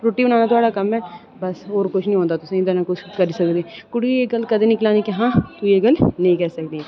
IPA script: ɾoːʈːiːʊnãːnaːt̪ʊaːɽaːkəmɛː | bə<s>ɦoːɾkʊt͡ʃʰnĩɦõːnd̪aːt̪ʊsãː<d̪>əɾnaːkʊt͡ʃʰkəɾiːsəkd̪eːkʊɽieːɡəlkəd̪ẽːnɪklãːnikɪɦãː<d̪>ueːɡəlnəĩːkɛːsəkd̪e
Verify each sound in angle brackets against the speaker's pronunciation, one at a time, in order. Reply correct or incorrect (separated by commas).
correct, correct, incorrect